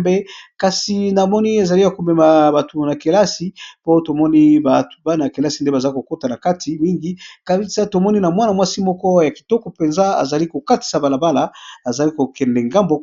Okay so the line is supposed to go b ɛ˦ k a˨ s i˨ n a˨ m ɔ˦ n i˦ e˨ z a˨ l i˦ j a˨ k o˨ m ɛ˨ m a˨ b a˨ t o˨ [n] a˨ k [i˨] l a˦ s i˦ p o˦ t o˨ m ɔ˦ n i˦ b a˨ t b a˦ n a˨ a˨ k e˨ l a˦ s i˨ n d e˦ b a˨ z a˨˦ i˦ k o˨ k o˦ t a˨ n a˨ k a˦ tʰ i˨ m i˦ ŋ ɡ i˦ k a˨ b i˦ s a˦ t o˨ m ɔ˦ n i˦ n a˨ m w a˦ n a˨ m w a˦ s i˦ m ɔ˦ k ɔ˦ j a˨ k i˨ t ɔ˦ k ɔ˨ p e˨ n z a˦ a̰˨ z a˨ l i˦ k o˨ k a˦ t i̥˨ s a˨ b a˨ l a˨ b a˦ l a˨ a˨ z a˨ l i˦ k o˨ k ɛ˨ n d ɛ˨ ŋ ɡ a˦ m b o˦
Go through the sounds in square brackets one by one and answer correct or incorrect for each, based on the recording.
correct, incorrect

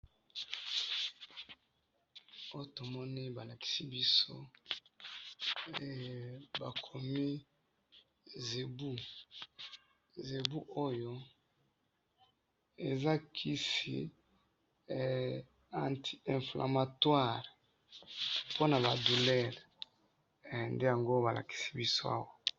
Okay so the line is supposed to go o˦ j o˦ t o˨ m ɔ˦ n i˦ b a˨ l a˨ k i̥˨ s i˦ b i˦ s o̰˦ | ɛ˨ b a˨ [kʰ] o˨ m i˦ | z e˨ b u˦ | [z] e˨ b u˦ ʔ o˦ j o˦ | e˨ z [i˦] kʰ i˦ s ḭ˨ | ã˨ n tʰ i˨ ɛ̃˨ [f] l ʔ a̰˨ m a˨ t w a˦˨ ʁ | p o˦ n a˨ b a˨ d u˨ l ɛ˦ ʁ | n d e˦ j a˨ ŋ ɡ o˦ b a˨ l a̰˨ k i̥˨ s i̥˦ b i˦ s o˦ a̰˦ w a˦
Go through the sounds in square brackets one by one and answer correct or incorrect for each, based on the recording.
correct, correct, incorrect, correct

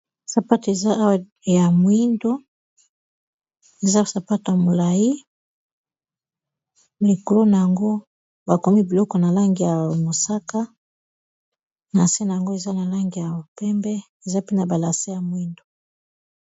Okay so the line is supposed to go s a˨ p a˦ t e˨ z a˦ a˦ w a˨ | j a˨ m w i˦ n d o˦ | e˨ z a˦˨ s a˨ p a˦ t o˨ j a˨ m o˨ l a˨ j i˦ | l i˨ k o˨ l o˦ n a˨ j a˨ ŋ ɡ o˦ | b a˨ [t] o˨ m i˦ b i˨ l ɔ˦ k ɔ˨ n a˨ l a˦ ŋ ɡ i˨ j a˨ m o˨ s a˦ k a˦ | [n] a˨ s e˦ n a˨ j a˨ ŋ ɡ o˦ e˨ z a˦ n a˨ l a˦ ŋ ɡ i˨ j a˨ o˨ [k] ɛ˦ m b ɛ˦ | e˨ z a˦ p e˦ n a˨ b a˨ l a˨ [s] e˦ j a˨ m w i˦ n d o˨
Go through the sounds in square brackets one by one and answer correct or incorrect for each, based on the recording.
incorrect, correct, incorrect, correct

